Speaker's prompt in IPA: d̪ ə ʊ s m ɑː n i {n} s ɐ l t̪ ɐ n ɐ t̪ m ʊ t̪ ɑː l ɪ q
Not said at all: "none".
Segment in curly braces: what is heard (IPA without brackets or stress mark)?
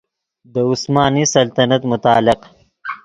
none